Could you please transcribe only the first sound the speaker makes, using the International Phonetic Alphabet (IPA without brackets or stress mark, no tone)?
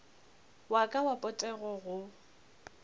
w